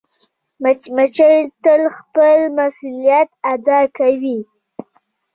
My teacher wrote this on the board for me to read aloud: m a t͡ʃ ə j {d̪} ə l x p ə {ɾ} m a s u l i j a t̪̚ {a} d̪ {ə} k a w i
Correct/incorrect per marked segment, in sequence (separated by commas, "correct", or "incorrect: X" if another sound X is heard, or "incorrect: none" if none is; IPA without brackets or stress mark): incorrect: t̪, incorrect: l, correct, incorrect: ɑ